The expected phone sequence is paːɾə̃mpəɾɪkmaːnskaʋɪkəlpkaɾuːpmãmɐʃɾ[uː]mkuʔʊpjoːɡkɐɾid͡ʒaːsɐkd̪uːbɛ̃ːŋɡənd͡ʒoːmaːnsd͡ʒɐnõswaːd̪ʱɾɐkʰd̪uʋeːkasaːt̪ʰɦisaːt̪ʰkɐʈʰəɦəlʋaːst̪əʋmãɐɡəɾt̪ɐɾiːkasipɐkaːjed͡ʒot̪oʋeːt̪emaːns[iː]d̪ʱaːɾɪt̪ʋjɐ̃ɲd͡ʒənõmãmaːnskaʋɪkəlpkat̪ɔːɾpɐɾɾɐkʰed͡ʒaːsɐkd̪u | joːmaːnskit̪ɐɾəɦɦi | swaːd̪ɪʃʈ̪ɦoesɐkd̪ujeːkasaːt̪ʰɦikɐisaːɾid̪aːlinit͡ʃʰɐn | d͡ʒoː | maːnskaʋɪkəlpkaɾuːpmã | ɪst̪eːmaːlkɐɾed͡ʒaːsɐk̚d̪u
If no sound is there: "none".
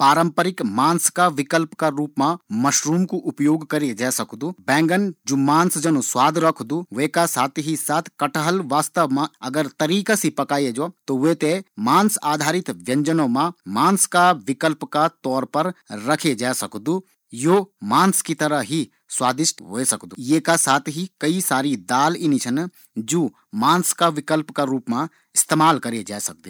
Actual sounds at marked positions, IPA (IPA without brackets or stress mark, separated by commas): uː, aː